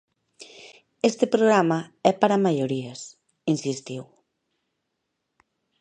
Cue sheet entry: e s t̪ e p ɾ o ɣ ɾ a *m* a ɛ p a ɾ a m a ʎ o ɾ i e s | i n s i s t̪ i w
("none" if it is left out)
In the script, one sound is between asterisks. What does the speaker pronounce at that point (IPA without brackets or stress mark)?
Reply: m